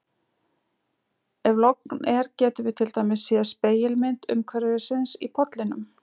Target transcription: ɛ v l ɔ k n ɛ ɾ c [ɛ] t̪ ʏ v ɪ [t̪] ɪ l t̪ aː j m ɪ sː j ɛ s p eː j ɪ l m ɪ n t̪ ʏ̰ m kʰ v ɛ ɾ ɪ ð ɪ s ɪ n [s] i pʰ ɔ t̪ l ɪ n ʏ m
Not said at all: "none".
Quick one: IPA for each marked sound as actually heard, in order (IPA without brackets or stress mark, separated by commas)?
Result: ɛː, t̪ʰ, s